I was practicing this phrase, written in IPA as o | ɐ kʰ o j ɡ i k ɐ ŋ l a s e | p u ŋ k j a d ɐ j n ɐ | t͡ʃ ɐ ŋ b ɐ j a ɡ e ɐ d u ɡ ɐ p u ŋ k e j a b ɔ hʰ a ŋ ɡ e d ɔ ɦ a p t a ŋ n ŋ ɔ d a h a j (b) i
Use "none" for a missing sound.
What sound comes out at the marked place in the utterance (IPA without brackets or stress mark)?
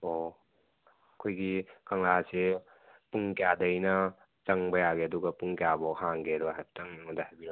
b